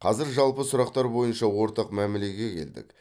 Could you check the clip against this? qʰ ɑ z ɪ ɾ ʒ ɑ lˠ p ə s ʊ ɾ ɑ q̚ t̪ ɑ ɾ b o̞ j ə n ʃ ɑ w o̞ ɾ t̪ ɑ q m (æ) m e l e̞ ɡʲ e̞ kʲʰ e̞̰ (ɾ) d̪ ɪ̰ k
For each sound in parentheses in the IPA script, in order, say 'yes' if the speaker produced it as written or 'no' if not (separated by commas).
yes, no